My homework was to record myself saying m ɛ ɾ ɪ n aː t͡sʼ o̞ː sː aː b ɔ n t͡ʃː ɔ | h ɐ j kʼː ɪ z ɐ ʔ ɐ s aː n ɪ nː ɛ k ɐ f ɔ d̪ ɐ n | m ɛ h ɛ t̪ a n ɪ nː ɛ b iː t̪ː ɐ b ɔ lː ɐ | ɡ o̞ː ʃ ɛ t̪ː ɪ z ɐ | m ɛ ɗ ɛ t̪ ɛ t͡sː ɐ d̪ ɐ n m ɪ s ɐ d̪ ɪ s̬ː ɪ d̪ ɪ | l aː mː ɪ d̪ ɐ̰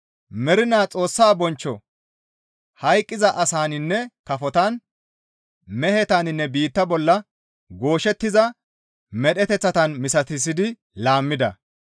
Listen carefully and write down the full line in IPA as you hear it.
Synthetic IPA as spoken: m ɛ ɾ ɪ n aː t͡sʼ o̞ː sː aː b ɔ n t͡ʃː ɔ | h ɐ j kʼː ɪ z ɐ ʔ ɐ s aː n ɪ nː ɛ k ɐ f ɔ t̪ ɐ n | m ɛ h ɛ t̪ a n ɪ nː ɛ b iː t̪ː ɐ b ɔ lː ɐ | ɡ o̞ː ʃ ɛ t̪ː ɪ z ɐ | m ɛ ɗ ɛ t̪ ɛ t͡sː ɐ t̪ ɐ n m ɪ s ɐ t̪ ɪ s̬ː ɪ d̪ ɪ | l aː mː ɪ d̪ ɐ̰